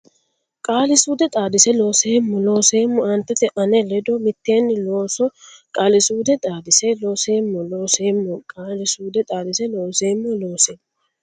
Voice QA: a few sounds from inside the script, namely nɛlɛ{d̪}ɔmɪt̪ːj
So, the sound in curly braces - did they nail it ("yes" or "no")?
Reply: yes